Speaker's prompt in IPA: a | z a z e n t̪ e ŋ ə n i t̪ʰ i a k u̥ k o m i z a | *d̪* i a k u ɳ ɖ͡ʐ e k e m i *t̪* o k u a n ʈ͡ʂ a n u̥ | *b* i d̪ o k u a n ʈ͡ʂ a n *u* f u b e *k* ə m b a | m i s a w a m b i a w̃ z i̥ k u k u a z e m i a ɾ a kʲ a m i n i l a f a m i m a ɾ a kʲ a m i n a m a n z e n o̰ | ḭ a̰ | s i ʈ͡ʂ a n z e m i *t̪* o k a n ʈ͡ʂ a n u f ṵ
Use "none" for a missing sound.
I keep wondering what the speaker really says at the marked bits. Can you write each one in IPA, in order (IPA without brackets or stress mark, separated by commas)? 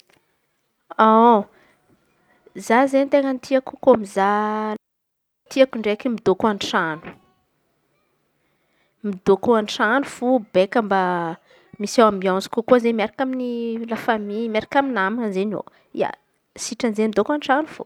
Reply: t̪, d̪, m, u, k, d̪